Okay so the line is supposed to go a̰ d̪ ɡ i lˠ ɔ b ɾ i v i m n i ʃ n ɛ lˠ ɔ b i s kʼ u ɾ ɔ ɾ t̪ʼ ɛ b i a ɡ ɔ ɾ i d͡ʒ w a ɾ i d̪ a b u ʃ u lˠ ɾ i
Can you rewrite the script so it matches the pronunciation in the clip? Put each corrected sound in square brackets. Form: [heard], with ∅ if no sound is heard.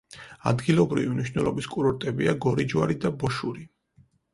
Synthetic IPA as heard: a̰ d̪ ɡ i lˠ ɔ b ɾ i v i m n i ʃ n ɛ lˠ ɔ b i s kʼ u ɾ ɔ ɾ t̪ʼ ɛ b i a ɡ ɔ ɾ i d͡ʒ w a ɾ i d̪ a b [ɔ] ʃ u [∅] ɾ i